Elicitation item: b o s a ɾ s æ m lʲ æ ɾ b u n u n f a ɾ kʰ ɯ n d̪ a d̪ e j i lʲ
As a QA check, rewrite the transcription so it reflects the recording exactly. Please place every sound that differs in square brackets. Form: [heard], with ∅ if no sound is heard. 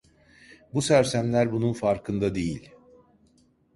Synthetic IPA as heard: b [u] s [æ] ɾ s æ m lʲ æ ɾ b u n u n f a ɾ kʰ ɯ n d̪ a d̪ e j i lʲ